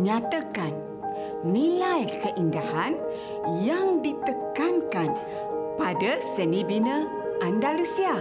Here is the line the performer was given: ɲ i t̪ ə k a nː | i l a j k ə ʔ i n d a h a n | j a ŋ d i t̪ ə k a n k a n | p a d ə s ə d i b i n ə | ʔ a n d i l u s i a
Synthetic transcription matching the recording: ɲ a t̪ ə k a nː | i l a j k ə ʔ i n d a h a n | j a ŋ d i t̪ ə k a n k a n | p a d ə s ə n i b i n ə | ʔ a n d a l u s i a